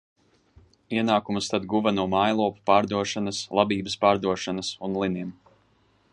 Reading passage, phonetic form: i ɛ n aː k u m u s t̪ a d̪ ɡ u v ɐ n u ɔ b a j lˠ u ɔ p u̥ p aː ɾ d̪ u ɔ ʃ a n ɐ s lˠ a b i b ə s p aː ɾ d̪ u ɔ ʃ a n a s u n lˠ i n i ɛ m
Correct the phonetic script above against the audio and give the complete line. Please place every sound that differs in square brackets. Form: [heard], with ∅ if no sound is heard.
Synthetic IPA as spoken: i ɛ n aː k u m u s t̪ a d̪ ɡ u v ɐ n u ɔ [m] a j lˠ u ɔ p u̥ p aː ɾ d̪ u ɔ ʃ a n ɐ s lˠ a b [iː] b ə s p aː ɾ d̪ u ɔ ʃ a n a s u n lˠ i n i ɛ m